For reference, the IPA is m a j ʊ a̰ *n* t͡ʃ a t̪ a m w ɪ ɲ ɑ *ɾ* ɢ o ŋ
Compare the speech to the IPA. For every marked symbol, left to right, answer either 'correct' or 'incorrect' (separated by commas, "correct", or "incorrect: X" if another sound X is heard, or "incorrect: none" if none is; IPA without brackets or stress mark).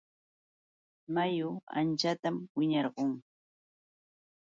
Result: correct, correct